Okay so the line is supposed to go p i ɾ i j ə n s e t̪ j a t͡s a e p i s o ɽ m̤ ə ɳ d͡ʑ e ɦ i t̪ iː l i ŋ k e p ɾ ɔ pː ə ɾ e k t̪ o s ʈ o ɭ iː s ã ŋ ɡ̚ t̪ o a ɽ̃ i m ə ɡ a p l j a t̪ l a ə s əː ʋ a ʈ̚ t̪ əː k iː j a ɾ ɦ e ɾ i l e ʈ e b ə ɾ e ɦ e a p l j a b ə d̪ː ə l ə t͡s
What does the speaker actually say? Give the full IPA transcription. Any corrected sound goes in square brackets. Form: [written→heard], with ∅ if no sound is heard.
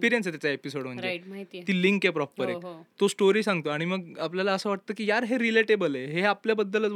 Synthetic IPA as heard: p i ɾ i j ə n s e t̪ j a t͡s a e p i s o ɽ m̤ ə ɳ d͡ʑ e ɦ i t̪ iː l i ŋ k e p ɾ ɔ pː ə ɾ e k t̪ o s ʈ o [ɭ→ɾ] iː s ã ŋ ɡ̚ t̪ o a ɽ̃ i m ə ɡ a p l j a [t̪→∅] l a ə s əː ʋ a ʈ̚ t̪ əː k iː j a ɾ ɦ e ɾ i l e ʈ e b ə [ɾ→l] e ɦ e a p l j a b ə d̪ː ə l ə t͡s